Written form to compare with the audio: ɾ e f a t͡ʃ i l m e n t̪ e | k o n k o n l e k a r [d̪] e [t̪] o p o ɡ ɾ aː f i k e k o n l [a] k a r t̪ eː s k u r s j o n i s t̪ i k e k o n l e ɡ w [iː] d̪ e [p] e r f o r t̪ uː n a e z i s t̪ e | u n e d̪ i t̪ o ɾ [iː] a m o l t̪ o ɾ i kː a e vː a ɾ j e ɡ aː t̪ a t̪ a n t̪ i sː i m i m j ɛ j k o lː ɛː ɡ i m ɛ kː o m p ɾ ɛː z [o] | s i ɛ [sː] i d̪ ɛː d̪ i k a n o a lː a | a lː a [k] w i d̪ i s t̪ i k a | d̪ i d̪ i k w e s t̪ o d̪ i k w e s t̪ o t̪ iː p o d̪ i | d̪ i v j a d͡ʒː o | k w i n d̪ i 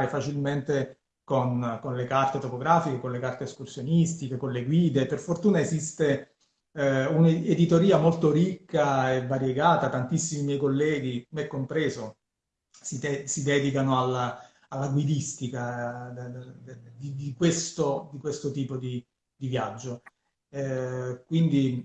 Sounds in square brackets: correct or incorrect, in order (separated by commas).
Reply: incorrect, correct, incorrect, correct, correct, correct, correct, incorrect, incorrect